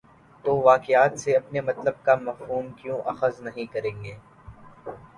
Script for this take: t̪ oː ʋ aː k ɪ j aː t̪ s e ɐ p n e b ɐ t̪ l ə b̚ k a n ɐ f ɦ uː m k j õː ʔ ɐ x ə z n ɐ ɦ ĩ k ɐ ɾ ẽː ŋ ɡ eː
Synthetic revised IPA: t̪ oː ʋ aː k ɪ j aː t̪ s e ɐ p n e m ɐ t̪ l ə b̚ k a m ɐ f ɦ uː m k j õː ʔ ɐ x ə z n ɐ ɦ ĩ k ɐ ɾ ẽː ŋ ɡ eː